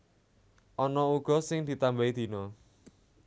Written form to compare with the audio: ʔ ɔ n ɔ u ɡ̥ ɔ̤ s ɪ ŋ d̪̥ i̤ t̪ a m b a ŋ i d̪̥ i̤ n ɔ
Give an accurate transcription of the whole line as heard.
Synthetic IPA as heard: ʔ ɔ n ɔ u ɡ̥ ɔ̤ s ɪ ŋ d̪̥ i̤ t̪ a m b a i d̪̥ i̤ n ɔ